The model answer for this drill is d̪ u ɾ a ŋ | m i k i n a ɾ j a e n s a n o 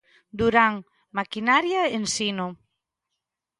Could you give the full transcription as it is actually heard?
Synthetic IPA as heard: d̪ u ɾ a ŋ | m a k i n a ɾ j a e n s i n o